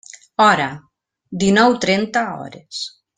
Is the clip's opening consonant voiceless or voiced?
voiced